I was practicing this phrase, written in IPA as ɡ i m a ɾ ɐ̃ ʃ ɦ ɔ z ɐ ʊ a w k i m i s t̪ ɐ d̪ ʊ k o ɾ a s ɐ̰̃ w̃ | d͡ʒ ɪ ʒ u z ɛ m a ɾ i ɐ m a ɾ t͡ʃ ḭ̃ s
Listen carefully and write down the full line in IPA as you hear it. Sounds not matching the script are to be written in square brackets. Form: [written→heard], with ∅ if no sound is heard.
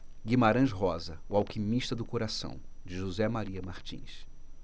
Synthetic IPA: ɡ i m a ɾ ɐ̃ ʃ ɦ ɔ z ɐ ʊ a w k i m i [s→ʃ] t̪ ɐ d̪ ʊ k o ɾ a s ɐ̰̃ w̃ | d͡ʒ ɪ ʒ u z ɛ m a ɾ i ɐ m a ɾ t͡ʃ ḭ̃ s